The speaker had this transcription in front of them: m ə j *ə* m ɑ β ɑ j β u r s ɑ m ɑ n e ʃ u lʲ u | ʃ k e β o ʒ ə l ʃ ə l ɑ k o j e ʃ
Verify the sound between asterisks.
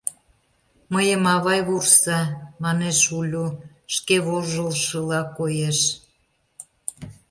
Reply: correct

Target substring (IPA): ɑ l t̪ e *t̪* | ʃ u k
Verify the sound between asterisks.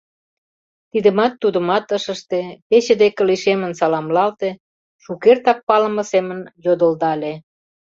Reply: incorrect: none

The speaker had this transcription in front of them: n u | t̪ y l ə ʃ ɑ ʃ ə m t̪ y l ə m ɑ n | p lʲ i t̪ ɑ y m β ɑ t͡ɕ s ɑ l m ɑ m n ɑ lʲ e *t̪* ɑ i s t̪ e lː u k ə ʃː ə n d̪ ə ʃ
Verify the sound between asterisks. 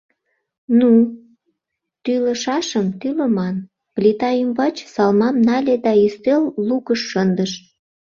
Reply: incorrect: d̪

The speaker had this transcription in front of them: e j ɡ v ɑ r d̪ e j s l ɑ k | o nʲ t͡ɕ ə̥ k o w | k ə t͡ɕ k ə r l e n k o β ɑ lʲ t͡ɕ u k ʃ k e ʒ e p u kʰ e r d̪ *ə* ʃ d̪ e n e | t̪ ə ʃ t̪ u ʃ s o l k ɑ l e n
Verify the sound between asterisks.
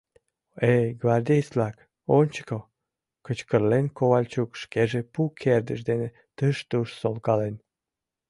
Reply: correct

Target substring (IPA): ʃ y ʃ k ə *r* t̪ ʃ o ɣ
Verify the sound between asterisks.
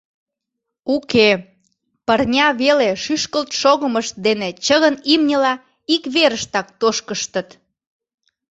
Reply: incorrect: l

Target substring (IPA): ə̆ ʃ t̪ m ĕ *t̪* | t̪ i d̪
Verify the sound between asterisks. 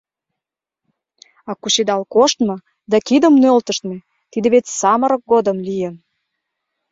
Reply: incorrect: none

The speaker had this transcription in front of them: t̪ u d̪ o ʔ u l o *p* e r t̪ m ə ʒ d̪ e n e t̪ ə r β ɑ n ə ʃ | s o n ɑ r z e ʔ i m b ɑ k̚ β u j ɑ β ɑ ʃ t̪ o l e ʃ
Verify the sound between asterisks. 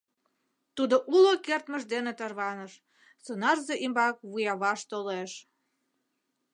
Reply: incorrect: k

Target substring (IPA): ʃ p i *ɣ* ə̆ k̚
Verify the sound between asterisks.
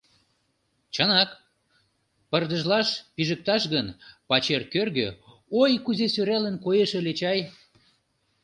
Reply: incorrect: ʒ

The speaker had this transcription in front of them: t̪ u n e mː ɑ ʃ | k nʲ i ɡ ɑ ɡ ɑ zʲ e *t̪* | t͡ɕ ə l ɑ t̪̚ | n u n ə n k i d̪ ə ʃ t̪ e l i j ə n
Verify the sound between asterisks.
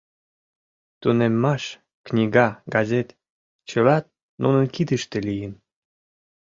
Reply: correct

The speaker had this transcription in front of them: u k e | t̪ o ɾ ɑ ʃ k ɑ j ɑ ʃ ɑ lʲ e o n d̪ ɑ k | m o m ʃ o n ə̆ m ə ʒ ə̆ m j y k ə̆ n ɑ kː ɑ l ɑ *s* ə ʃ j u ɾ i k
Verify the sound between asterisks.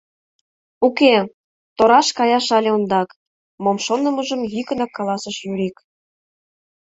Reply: correct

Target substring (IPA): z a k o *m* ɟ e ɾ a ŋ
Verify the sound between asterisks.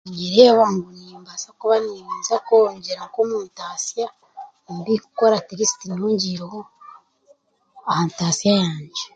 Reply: incorrect: ɲ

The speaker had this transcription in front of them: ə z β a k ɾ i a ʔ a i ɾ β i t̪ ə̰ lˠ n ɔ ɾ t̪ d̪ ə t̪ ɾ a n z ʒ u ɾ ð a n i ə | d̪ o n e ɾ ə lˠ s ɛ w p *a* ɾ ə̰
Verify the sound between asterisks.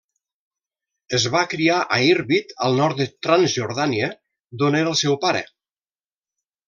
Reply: correct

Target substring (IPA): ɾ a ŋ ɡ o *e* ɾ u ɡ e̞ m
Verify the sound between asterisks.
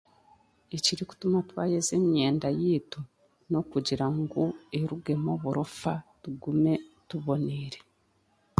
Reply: correct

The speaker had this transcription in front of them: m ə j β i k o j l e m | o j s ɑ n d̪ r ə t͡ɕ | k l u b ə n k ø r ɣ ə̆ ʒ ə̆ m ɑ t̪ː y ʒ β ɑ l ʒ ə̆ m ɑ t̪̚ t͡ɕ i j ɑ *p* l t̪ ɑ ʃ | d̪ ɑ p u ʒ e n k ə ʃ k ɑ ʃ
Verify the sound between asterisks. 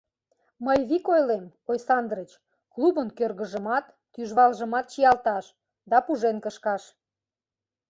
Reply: incorrect: none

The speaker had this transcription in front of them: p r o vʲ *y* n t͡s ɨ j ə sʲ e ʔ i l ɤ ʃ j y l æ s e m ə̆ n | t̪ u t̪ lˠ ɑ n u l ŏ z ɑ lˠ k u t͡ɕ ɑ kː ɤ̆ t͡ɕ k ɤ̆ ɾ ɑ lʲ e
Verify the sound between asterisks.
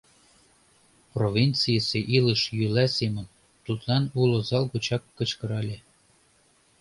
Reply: incorrect: i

